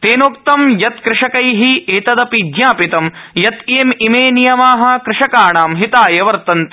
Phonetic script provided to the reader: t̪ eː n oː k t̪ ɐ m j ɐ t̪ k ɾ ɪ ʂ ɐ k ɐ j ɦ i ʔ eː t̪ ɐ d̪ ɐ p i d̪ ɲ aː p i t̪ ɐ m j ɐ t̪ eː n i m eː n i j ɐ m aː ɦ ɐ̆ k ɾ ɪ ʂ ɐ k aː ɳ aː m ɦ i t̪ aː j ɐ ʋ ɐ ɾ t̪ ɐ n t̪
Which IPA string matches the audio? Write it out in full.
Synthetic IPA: t̪ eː n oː k t̪ ɐ m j ɐ t̪ k ɾ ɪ ʂ ɐ k ɐ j ɦ i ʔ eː t̪ ɐ d̪ ɐ p i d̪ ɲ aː p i t̪ ɐ m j ɐ t̪ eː m i m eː n i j ɐ m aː ɦ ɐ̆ k ɾ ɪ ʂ ɐ k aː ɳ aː m ɦ i t̪ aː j ɐ ʋ ɐ ɾ t̪ ɐ n t̪